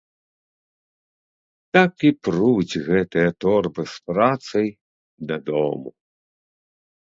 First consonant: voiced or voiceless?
voiceless